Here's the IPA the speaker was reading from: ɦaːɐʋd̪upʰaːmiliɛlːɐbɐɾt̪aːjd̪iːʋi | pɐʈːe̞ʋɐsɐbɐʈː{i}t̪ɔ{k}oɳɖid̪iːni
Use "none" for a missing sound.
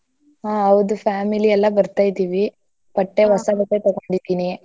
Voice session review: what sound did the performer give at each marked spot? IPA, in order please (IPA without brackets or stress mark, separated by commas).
e, ɡ